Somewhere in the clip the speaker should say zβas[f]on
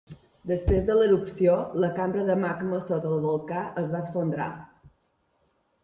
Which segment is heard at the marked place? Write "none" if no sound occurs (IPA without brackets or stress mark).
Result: f